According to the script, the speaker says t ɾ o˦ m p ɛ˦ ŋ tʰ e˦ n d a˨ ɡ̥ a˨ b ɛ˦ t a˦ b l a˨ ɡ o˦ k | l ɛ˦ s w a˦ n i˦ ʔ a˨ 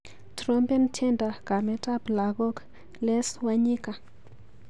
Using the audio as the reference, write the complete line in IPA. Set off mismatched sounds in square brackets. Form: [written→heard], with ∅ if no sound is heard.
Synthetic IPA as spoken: t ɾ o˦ m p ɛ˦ [ŋ→n] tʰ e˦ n d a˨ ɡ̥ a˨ [b→m] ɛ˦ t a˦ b l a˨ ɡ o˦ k | l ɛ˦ s w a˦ [n→ɲ] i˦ [ʔ→k] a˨